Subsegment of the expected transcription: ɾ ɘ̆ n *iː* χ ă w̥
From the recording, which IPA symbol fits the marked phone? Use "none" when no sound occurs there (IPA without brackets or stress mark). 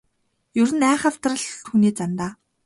æː